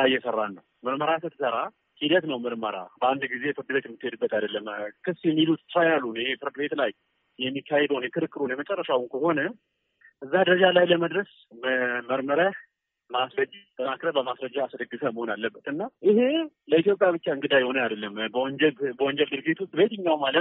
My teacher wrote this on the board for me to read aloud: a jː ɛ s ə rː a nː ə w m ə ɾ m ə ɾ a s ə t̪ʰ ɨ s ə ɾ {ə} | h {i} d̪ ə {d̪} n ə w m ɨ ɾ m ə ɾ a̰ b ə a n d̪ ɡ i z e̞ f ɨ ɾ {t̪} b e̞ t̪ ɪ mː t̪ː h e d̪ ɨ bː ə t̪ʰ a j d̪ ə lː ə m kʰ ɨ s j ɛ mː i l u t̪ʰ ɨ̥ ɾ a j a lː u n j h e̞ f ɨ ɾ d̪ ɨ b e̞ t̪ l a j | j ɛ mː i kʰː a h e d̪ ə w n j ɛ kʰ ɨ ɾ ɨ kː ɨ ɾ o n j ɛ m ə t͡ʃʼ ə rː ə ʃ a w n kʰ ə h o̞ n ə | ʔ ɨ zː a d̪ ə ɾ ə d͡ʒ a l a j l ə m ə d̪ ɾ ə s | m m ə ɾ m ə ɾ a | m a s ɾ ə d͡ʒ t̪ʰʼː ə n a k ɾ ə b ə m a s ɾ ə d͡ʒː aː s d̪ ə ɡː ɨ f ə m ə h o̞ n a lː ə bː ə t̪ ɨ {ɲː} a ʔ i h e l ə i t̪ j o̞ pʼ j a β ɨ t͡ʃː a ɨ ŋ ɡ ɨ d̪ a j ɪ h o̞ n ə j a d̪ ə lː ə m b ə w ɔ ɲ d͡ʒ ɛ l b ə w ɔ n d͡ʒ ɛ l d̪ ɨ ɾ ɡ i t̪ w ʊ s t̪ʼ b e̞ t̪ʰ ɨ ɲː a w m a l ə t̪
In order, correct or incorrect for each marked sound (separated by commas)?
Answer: incorrect, correct, incorrect, incorrect, incorrect